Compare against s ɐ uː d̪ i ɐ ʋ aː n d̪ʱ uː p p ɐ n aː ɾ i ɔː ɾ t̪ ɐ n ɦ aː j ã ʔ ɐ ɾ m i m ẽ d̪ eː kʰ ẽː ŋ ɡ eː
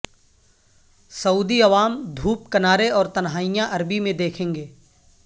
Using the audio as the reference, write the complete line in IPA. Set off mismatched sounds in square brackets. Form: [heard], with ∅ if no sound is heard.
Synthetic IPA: s ɐ uː d̪ i ɐ ʋ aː [m] d̪ʱ uː p [k] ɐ n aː ɾ [e] ɔː ɾ t̪ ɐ n ɦ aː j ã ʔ ɐ ɾ [b] i m ẽ d̪ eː kʰ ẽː ŋ ɡ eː